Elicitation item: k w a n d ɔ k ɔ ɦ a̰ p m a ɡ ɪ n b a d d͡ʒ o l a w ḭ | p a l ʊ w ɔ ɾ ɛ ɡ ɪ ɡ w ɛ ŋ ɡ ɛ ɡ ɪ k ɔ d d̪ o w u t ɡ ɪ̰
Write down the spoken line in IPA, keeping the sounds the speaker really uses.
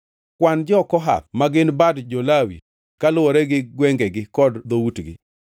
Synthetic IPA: k w a n d͡ʒ ɔ k ɔ ɦ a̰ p m a ɡ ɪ n b a d d͡ʒ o l a w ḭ | k a l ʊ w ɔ ɾ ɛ ɡ ɪ ɡ w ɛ ŋ ɡ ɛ ɡ ɪ k ɔ d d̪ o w u t ɡ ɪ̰